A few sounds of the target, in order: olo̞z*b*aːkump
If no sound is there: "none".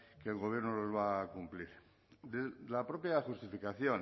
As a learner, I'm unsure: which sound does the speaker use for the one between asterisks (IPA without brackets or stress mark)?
β